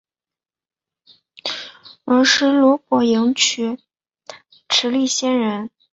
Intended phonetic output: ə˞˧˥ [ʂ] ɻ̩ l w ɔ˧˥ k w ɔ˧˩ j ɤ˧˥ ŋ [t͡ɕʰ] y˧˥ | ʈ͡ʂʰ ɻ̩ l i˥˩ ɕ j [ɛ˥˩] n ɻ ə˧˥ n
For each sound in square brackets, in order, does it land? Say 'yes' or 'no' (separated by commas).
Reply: yes, yes, no